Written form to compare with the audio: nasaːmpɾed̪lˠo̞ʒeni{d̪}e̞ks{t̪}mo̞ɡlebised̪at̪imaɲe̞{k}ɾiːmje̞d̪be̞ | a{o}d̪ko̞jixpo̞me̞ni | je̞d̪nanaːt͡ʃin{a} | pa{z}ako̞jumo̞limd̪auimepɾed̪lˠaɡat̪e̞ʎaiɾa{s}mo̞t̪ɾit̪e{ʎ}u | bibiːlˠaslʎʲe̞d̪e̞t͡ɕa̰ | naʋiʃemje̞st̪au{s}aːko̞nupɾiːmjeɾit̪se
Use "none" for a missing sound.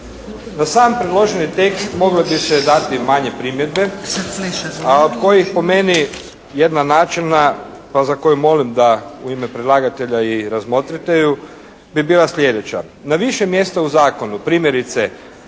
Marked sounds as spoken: t̪, t̪, p, o, a, z, z, j, z

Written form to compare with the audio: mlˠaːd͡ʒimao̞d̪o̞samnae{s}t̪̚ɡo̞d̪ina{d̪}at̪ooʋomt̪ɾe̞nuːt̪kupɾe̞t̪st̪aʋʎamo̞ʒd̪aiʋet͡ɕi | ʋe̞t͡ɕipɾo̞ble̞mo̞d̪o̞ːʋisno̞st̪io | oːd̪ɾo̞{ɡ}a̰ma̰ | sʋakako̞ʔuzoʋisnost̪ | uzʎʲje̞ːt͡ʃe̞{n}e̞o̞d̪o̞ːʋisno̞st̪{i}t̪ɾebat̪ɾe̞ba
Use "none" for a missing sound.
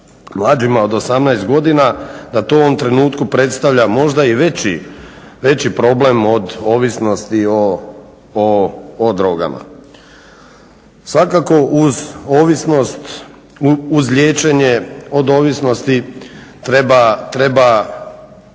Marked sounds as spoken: s, d̪, ɡ, ɲ, i

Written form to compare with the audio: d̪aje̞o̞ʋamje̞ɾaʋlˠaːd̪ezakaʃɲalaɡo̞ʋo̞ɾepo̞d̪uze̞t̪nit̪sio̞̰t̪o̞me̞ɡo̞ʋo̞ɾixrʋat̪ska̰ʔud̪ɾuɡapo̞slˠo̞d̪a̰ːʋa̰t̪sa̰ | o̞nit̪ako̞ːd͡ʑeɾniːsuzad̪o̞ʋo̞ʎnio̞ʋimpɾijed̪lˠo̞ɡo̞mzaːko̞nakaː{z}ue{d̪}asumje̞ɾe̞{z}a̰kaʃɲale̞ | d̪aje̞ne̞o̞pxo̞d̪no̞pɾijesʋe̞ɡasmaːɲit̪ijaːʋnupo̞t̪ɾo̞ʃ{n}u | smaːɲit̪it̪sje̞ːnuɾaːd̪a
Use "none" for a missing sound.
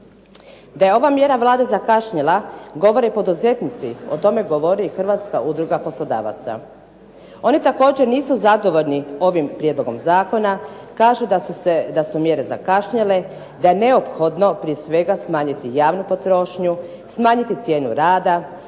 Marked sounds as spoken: ʒ, d̪, z, ɲ

